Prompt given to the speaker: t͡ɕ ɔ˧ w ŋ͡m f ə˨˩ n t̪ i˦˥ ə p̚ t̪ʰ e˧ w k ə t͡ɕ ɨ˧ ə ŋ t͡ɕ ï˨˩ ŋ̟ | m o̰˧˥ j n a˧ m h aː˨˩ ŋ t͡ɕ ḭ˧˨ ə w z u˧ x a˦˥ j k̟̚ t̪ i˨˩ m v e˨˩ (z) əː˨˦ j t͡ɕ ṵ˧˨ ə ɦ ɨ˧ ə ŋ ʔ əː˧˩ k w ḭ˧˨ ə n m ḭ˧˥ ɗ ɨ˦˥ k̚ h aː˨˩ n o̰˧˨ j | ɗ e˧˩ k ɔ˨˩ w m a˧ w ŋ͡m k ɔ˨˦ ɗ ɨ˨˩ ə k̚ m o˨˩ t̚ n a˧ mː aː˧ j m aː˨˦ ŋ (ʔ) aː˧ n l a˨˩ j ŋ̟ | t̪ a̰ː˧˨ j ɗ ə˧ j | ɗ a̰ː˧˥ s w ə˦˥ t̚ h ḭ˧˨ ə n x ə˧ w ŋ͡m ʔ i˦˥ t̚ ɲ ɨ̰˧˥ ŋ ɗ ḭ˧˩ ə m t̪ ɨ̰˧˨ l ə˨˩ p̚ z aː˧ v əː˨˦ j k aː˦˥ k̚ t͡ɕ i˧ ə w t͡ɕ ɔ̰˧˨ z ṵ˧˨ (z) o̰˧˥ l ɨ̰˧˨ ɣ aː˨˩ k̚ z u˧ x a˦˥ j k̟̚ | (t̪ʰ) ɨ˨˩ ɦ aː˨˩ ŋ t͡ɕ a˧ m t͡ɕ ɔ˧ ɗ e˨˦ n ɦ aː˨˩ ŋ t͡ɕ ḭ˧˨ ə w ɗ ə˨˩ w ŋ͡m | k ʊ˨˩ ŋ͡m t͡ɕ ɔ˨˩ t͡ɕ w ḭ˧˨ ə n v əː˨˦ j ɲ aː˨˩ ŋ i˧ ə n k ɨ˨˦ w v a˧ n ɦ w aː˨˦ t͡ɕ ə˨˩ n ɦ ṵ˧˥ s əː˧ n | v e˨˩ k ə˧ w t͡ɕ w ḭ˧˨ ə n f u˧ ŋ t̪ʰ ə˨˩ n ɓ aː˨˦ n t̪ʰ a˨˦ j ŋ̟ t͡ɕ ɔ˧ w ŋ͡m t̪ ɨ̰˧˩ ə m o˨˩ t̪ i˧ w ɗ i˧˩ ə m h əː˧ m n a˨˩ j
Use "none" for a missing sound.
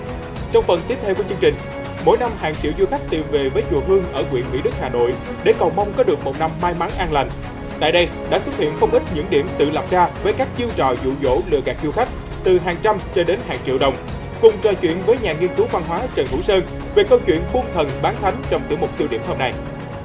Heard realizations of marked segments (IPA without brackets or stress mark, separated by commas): v, ʔ, z, t̪